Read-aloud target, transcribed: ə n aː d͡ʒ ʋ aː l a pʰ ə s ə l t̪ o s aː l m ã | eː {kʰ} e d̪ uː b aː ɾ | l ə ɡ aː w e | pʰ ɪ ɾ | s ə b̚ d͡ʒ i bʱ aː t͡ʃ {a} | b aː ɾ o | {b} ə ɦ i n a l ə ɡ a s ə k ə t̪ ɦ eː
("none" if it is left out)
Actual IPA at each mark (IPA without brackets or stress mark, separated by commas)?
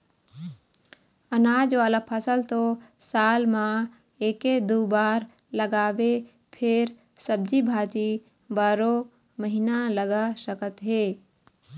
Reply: k, i, m